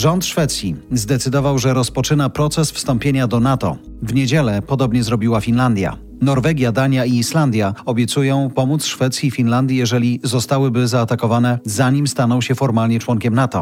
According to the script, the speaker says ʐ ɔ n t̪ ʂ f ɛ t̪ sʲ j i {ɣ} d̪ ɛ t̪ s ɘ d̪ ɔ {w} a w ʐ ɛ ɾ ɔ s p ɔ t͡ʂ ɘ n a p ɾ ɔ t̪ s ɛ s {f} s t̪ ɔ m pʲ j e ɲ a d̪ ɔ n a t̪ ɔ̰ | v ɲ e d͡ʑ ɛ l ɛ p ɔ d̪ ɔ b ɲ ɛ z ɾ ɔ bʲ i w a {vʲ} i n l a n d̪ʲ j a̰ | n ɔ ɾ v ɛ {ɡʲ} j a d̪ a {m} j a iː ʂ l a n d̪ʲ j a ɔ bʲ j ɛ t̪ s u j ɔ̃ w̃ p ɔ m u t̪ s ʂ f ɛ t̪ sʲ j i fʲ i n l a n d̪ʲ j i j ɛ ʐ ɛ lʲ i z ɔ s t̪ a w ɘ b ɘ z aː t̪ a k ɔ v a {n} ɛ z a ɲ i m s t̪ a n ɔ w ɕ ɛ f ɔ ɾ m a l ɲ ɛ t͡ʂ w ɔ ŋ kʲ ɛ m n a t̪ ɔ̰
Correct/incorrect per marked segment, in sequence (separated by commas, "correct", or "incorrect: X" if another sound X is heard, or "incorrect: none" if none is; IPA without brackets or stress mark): incorrect: z, incorrect: v, correct, incorrect: fʲ, correct, incorrect: ɲ, correct